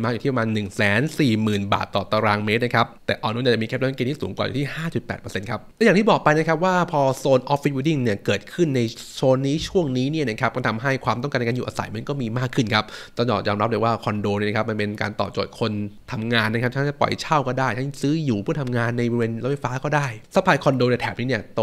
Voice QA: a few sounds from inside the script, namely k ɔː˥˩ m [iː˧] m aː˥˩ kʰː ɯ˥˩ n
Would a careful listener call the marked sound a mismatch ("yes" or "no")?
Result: no